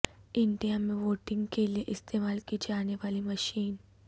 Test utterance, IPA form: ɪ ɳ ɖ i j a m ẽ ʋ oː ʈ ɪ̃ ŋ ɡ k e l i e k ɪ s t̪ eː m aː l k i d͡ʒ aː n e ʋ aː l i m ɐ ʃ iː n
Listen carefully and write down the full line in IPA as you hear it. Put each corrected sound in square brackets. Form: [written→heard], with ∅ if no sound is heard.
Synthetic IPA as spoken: ɪ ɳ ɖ i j a m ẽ ʋ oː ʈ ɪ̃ ŋ ɡ k e l i e [k→ʔ] ɪ s t̪ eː m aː l k i d͡ʒ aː n e ʋ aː l i m ɐ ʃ iː n